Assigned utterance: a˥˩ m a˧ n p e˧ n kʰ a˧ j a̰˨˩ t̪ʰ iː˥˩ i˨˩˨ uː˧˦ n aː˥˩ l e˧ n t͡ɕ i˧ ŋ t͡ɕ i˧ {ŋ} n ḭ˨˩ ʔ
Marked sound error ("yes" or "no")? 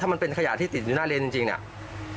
no